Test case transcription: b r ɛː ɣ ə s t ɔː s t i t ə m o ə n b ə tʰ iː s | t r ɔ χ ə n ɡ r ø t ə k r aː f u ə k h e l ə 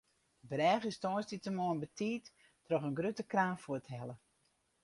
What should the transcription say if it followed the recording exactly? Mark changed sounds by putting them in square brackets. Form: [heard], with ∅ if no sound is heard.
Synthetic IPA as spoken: b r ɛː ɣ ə s t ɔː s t i t ə m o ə n b ə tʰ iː [t] | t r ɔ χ ə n ɡ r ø t ə k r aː f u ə [t] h [ɛ] l ə